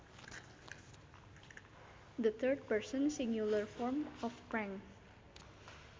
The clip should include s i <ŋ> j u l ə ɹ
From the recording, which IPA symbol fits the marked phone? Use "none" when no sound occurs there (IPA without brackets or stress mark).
ŋ